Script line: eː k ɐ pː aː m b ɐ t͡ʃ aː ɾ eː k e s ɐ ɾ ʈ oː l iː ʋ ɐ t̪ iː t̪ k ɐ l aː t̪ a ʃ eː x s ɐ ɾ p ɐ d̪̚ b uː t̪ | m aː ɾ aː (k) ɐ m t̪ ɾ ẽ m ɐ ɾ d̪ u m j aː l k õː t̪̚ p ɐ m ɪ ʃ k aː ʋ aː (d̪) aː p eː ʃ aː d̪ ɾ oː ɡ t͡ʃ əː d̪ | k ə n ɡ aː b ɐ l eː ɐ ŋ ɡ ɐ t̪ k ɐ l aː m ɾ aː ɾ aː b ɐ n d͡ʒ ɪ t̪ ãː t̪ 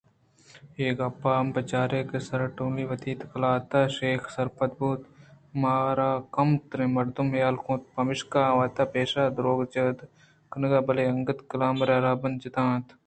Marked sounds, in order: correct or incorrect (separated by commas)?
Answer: correct, incorrect